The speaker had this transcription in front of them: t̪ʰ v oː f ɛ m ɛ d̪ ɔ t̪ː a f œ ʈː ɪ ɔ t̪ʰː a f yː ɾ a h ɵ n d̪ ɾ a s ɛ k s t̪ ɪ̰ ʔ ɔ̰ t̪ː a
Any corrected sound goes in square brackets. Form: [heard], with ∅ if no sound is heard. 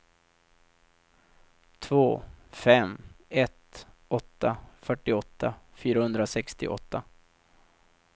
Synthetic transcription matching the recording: t̪ʰ v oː f ɛ m ɛ [t̪] ɔ t̪ː a f œ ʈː ɪ ɔ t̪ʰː a f yː ɾ a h ɵ n d̪ ɾ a s ɛ k s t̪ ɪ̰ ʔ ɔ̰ t̪ː a